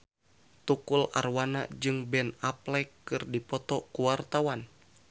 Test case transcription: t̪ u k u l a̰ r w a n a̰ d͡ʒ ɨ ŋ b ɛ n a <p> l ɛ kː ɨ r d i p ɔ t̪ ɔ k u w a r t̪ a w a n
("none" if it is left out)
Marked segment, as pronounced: p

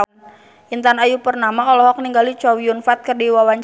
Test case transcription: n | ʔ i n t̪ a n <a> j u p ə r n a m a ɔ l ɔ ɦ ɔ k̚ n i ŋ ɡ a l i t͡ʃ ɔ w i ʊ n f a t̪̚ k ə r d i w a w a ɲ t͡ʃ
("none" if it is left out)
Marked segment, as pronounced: a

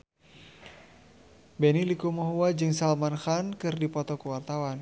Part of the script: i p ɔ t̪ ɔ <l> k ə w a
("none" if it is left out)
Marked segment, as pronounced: none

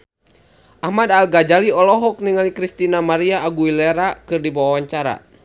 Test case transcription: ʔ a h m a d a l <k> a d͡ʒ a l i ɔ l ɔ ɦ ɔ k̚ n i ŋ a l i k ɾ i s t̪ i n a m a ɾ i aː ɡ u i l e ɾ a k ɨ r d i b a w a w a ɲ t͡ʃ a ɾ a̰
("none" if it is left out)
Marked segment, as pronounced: ɡ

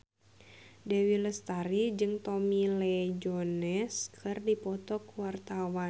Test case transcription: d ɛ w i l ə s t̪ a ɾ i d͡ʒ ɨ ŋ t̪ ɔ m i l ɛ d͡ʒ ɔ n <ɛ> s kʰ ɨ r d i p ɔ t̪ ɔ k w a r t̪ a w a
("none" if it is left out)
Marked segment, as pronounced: ɛ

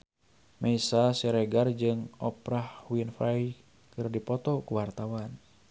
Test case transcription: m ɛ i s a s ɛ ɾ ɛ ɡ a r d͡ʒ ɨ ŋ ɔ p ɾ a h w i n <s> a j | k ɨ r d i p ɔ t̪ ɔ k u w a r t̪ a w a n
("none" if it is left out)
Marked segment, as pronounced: f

